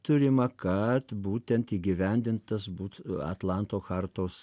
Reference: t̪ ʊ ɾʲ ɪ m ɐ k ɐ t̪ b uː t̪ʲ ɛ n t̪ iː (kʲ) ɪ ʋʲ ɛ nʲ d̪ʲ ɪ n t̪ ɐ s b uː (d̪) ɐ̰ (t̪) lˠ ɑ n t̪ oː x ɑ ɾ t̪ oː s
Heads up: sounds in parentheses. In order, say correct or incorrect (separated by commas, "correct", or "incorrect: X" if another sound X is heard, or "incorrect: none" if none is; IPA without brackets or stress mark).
incorrect: ɡʲ, incorrect: t̪, correct